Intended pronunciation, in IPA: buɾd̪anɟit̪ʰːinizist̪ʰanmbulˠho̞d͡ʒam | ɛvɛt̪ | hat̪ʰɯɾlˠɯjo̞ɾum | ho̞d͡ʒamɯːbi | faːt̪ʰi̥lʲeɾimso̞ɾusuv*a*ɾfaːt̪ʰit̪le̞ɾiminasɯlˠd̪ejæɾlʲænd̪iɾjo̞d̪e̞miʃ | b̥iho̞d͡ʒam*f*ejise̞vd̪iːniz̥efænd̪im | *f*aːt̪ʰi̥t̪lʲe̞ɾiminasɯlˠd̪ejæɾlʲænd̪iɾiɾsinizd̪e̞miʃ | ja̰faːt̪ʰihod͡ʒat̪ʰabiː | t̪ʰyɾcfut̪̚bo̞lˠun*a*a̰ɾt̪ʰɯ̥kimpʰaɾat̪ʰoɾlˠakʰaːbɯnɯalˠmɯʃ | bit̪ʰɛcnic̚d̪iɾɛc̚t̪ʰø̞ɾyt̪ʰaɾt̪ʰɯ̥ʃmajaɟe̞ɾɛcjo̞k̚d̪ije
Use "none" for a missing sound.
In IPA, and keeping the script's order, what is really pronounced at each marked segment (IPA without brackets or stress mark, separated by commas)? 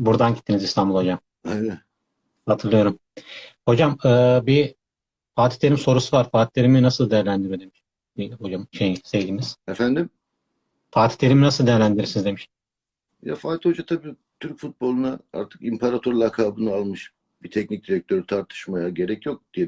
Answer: a, ʃ, f, a